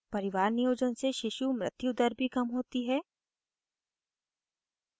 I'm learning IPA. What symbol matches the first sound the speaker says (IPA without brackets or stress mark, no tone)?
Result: p